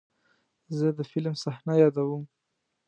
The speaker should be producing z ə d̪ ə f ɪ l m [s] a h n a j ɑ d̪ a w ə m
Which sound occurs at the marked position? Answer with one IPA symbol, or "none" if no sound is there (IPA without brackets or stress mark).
s